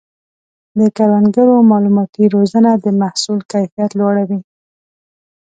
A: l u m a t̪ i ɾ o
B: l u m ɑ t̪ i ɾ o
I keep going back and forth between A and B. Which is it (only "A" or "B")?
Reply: B